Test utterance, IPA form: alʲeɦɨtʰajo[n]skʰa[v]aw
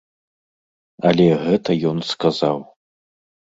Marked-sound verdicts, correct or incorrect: correct, incorrect: z

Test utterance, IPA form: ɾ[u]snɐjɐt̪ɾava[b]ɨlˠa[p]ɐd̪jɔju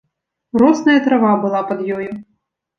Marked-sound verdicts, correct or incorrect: incorrect: ɔ, correct, correct

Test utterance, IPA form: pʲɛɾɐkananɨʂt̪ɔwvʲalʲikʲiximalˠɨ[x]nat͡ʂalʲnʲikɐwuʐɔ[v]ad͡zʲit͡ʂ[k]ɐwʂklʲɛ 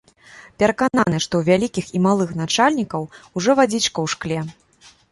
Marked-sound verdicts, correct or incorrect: correct, correct, correct

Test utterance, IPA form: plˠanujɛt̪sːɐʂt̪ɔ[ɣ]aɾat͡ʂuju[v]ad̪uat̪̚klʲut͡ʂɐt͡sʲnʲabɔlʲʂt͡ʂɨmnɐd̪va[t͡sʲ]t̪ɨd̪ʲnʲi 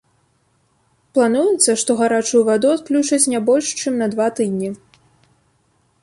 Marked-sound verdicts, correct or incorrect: correct, correct, incorrect: none

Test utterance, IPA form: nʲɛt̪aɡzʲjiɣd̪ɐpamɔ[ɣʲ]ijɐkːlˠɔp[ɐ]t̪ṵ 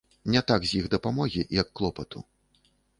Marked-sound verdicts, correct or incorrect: correct, correct

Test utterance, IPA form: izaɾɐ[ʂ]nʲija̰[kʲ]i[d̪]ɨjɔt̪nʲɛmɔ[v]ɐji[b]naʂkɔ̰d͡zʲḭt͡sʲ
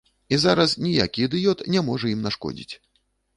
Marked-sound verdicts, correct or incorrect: incorrect: s, correct, correct, incorrect: ʐ, incorrect: m

